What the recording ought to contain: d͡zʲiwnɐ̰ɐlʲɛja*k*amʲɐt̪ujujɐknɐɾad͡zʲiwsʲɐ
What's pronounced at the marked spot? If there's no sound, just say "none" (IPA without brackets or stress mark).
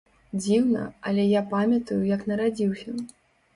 p